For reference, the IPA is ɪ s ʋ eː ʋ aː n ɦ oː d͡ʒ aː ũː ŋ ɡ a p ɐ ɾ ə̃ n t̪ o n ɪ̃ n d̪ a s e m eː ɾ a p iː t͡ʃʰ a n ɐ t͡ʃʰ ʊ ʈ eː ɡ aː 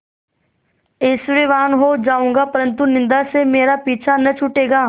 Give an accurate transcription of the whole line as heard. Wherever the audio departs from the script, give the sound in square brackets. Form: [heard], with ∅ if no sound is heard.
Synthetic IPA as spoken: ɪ s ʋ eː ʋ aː n ɦ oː d͡ʒ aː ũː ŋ ɡ a p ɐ ɾ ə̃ n t̪ [u] n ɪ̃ n d̪ a s e m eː ɾ a p iː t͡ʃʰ a n ɐ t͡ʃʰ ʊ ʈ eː ɡ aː